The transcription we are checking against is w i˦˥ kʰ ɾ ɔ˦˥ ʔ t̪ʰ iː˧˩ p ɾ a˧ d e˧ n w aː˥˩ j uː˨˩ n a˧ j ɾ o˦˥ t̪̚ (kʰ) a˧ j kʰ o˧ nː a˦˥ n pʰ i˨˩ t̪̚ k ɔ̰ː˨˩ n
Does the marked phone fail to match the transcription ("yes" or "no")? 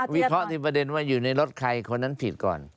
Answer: no